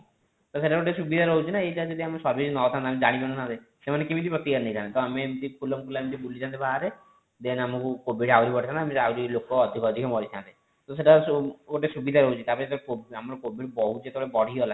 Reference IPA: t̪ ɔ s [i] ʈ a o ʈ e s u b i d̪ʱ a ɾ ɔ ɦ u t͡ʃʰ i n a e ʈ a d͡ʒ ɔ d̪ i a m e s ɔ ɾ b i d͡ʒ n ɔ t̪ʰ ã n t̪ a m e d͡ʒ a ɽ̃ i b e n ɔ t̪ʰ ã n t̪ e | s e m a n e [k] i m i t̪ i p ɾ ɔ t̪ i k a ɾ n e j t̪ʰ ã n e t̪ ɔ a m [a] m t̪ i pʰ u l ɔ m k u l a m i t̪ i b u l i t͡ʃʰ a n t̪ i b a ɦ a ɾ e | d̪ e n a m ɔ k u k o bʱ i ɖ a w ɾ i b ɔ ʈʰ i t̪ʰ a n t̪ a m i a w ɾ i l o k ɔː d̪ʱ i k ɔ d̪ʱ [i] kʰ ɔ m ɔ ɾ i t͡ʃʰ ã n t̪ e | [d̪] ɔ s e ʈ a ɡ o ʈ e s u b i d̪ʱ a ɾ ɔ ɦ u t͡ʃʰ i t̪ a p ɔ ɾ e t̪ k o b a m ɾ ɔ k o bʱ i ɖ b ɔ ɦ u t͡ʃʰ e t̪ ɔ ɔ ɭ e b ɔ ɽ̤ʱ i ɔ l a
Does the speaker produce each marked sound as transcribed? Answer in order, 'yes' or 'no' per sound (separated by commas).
no, yes, no, yes, no